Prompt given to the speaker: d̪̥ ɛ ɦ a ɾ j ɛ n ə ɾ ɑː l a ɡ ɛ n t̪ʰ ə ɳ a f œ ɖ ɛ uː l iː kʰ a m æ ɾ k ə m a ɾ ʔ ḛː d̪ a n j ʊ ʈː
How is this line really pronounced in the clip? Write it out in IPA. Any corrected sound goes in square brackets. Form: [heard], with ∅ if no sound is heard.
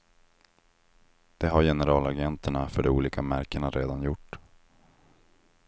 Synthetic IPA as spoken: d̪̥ ɛ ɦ a ɾ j ɛ n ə ɾ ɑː l a ɡ ɛ n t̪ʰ ə ɳ a f œ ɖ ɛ uː l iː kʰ a m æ ɾ k ə [ɳ] a ɾ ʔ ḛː d̪ a n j ʊ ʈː